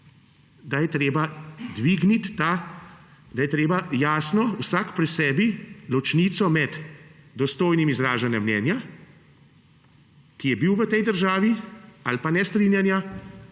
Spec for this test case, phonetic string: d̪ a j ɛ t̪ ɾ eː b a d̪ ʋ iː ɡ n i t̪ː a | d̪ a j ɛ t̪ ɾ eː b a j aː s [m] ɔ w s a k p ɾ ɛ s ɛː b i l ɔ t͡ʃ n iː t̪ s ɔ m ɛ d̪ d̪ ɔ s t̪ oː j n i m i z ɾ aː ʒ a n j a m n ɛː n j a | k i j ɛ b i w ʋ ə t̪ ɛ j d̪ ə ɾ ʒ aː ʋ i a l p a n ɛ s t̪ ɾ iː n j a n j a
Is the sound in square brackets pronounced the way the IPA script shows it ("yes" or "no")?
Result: no